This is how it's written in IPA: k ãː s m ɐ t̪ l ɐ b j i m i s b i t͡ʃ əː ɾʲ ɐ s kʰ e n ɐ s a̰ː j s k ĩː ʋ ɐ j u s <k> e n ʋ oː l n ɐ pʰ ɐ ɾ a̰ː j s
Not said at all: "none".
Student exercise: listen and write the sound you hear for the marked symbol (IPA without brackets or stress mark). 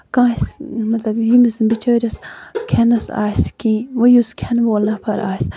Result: kʰ